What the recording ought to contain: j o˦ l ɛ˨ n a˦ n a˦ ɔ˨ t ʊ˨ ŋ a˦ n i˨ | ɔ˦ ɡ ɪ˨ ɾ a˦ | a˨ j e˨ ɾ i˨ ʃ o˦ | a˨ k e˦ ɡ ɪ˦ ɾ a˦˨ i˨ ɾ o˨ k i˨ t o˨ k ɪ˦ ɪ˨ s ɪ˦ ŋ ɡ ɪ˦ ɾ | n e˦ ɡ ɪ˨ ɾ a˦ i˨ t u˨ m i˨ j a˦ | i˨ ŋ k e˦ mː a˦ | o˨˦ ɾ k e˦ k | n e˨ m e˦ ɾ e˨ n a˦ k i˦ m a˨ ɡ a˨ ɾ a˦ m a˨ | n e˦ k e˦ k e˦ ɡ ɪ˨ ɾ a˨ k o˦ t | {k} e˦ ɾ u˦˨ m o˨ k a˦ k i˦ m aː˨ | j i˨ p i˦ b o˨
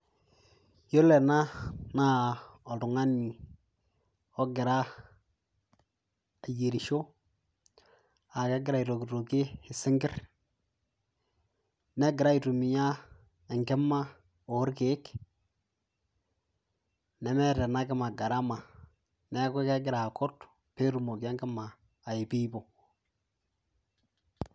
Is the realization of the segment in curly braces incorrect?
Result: yes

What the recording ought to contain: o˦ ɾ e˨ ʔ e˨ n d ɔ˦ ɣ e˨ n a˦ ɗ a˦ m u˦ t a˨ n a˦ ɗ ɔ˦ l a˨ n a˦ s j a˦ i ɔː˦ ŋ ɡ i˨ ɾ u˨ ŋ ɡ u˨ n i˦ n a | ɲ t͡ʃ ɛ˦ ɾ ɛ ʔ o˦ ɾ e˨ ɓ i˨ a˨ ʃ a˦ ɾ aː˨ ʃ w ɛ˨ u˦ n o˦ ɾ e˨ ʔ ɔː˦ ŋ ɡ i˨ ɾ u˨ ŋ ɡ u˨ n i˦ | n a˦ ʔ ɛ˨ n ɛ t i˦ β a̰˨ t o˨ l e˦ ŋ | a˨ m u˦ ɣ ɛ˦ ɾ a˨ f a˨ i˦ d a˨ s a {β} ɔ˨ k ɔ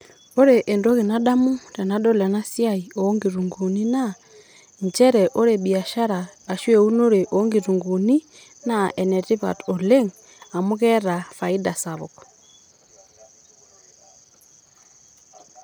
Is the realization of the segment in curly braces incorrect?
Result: no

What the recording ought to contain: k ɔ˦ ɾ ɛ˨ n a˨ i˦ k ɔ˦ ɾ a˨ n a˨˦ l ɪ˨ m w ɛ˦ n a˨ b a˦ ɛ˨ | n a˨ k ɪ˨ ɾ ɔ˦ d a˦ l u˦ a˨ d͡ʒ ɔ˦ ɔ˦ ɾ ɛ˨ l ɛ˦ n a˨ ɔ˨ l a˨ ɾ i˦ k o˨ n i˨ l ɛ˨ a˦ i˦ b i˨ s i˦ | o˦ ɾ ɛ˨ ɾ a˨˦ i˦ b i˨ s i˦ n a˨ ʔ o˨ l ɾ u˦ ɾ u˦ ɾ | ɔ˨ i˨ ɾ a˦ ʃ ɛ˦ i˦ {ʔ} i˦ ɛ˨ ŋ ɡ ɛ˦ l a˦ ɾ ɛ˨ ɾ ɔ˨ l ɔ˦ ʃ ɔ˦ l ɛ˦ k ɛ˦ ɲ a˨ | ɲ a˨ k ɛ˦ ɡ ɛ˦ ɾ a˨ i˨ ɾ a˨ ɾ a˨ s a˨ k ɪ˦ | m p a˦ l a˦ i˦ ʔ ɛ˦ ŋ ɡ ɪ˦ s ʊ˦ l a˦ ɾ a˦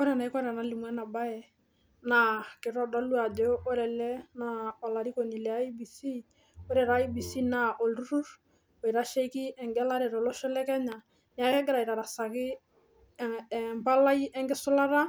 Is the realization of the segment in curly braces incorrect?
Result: yes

